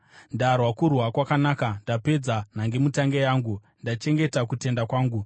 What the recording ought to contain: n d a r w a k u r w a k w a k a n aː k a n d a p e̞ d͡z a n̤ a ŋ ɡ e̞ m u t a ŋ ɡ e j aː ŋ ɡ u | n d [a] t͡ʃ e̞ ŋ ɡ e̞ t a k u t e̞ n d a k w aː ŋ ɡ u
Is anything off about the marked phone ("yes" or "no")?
no